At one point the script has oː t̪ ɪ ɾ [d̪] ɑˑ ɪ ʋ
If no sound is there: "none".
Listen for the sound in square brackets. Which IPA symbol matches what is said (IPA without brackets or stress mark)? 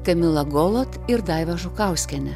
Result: d̪